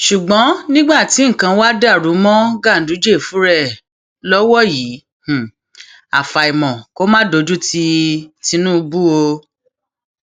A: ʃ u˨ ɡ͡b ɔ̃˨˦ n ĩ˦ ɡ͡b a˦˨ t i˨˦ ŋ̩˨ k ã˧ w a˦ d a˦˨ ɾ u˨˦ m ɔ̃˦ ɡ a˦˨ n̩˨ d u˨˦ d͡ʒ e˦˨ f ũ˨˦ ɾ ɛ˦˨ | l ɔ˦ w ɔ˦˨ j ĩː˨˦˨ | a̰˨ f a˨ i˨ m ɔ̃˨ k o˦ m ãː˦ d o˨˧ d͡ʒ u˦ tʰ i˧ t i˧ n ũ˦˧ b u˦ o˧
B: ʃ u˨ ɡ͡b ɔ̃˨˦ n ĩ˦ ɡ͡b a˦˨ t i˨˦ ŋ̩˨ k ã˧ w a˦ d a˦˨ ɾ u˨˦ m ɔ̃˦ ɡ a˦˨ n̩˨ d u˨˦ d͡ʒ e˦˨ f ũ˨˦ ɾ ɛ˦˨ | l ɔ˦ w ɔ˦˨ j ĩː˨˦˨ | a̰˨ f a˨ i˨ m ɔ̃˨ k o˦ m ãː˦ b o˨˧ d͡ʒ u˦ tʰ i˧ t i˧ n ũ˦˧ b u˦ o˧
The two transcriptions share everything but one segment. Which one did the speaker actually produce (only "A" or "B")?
A